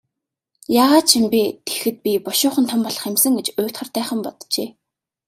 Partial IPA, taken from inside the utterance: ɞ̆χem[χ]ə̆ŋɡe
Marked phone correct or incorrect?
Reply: incorrect: s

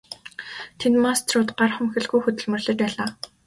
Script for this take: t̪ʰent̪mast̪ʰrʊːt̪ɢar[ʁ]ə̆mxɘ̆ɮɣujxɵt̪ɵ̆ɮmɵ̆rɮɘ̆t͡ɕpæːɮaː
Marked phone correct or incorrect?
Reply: incorrect: χ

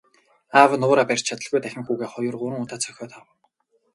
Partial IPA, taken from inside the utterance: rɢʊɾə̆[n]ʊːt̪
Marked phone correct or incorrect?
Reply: incorrect: ŋ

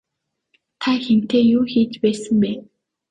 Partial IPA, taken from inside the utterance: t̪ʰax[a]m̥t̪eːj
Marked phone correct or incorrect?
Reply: incorrect: e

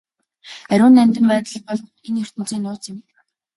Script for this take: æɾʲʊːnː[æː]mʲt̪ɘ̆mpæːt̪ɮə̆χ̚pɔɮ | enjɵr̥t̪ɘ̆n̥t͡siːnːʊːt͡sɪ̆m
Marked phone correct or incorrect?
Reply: incorrect: æ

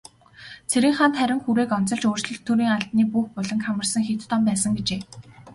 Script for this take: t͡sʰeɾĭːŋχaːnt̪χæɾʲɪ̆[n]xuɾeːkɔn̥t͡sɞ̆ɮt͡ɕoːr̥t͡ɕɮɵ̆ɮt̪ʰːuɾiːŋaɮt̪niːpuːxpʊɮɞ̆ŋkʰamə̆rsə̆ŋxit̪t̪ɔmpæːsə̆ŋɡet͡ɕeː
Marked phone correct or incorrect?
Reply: incorrect: ŋ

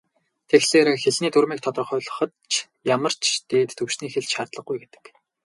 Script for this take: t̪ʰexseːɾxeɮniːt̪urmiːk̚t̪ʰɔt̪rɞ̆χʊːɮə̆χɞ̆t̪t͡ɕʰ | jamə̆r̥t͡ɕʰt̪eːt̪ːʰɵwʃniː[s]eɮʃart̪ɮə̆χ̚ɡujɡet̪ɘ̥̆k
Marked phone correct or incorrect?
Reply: incorrect: x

